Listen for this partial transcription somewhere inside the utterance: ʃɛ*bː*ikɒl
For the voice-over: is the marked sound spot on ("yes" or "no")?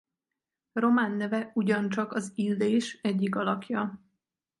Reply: no